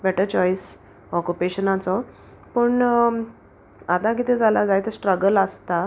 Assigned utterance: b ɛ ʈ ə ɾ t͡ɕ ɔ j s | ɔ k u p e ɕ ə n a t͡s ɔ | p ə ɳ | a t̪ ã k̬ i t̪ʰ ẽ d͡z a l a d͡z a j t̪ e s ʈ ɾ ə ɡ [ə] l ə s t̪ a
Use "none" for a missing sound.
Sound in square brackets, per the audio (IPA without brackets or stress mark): ə